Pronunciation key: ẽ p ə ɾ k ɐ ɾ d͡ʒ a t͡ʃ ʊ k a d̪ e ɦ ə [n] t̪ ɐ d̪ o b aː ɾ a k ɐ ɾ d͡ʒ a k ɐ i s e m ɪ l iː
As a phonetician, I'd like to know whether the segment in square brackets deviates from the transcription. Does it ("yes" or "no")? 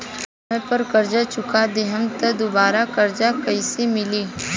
yes